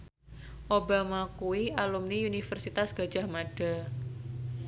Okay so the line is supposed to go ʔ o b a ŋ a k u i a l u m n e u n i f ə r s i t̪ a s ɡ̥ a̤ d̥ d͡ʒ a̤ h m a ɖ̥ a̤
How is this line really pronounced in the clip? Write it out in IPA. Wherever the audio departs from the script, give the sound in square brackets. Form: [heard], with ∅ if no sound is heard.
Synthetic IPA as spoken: ʔ o b a [m] a k u i a l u m n [i] u n i f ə r s i t̪ a s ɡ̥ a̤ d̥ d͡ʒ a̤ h m a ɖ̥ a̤